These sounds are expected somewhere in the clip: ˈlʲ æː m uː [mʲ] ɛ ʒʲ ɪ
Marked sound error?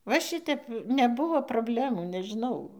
yes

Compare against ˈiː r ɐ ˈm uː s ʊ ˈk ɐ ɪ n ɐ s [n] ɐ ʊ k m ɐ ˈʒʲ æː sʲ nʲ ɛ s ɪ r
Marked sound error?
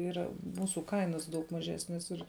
yes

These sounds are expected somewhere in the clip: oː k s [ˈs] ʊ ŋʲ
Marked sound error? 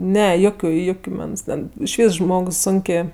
no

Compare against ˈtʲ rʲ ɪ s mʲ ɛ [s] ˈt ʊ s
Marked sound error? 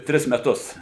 yes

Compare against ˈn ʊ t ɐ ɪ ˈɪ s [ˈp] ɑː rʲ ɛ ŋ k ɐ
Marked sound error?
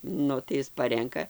no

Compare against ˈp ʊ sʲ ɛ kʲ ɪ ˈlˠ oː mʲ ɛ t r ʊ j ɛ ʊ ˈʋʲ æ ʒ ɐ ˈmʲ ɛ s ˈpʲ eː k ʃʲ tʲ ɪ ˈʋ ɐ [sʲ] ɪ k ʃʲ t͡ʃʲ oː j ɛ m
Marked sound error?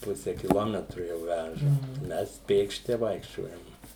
yes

